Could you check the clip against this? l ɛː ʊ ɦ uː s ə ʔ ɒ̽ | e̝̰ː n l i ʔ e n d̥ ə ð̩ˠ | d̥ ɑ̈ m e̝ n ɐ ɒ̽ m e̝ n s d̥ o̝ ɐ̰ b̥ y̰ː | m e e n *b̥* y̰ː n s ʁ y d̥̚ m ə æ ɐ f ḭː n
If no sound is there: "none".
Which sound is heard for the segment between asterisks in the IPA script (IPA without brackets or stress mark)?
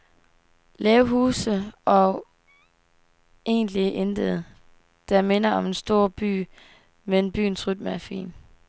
b̥